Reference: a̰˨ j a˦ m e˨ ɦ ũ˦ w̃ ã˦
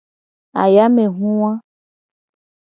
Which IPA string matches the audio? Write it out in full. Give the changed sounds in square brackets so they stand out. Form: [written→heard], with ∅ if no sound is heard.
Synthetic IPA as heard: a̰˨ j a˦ m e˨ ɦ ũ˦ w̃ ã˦